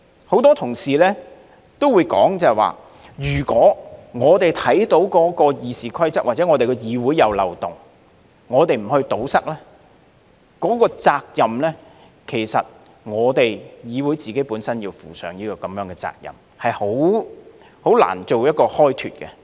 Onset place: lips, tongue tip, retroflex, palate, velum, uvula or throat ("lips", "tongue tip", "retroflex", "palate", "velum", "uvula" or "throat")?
throat